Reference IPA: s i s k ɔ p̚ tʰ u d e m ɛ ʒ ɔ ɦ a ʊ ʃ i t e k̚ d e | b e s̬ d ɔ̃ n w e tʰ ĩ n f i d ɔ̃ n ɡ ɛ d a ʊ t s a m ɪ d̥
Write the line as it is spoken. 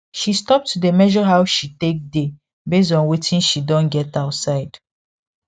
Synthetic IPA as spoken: ʃ i s t ɔ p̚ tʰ u d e m ɛ ʒ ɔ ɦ a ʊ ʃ i t e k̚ d e | b e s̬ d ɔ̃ n w e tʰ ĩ n ʃ i d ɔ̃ n ɡ ɛ t a ʊ t s a ɪ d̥